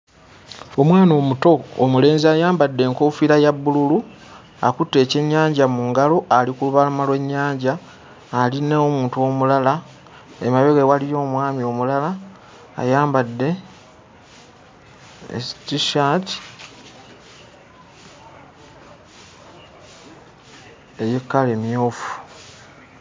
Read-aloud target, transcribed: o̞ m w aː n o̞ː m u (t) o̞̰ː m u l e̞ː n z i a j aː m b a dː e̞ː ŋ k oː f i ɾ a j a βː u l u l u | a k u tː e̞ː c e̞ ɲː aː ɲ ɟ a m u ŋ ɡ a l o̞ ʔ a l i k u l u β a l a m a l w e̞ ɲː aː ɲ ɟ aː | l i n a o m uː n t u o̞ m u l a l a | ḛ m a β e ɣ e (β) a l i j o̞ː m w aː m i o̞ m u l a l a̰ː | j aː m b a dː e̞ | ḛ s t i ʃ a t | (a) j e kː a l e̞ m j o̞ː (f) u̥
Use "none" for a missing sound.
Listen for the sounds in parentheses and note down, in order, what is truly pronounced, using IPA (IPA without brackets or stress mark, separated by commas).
t, w, e, f